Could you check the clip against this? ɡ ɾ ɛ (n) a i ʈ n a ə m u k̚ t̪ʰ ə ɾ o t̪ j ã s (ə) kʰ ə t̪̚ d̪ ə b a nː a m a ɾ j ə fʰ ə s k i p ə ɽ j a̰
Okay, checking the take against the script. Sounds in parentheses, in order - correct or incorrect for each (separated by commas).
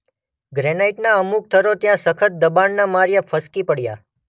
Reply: correct, correct